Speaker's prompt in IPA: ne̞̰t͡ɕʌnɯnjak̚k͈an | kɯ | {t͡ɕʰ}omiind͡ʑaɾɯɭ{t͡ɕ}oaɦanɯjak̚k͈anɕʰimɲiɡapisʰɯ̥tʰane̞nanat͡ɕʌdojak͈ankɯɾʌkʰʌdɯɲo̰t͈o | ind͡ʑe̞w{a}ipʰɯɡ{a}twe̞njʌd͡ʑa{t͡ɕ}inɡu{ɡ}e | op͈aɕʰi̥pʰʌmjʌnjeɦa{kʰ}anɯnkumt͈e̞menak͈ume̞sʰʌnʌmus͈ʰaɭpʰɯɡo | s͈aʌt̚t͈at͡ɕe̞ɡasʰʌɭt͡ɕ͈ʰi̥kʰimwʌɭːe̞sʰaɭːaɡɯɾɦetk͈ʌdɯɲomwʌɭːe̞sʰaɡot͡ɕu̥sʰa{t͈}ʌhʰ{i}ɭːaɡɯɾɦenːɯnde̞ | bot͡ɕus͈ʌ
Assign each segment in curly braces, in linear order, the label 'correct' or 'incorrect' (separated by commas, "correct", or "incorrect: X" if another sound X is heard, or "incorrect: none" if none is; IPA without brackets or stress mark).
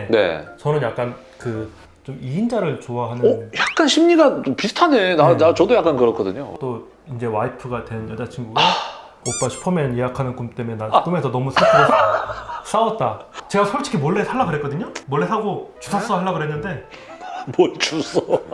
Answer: incorrect: t͡ɕ, correct, correct, correct, incorrect: t͡ɕʰ, correct, correct, incorrect: s͈, incorrect: a